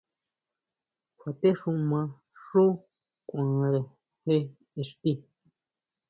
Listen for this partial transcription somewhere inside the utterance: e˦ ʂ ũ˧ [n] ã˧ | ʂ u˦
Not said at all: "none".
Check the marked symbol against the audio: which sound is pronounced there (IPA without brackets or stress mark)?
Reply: m